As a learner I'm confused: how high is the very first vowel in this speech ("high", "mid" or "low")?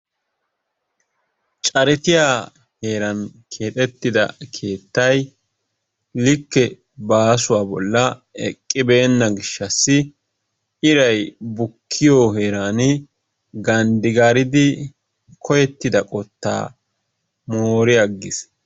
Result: low